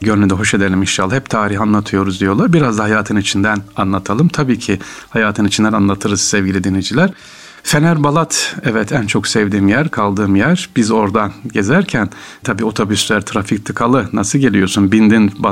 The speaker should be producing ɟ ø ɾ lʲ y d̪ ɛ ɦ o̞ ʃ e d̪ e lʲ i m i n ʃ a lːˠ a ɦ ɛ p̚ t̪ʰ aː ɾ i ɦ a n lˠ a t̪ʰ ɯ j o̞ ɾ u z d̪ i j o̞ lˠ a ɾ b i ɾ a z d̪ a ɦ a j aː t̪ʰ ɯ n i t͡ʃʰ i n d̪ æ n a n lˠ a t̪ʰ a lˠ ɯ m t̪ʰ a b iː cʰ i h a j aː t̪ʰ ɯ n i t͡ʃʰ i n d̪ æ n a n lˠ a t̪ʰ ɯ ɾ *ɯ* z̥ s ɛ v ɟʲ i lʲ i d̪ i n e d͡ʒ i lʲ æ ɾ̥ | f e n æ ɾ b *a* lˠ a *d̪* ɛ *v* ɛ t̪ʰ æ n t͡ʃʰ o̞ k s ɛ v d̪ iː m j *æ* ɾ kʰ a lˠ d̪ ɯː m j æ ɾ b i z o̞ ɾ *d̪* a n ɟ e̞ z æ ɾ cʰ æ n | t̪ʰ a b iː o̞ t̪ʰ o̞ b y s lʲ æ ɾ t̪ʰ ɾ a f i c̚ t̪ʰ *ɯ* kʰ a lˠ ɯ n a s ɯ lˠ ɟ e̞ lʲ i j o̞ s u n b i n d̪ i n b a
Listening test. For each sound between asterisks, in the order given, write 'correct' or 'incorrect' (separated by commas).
correct, correct, incorrect, correct, correct, correct, correct